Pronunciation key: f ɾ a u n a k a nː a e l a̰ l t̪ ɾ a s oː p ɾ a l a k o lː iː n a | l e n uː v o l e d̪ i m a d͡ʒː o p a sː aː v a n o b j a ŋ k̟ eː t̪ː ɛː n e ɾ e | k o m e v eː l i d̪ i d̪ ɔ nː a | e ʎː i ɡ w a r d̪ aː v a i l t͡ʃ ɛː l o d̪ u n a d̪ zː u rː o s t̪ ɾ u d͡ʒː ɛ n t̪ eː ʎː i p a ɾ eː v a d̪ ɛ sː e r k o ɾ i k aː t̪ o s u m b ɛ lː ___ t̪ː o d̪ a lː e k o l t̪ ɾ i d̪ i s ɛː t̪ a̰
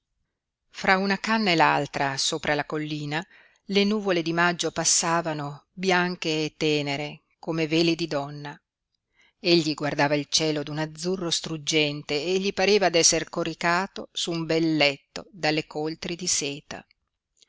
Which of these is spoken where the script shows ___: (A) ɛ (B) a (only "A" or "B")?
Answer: A